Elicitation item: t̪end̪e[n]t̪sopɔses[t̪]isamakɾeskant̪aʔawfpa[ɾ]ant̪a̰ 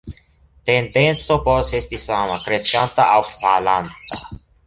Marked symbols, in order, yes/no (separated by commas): yes, yes, no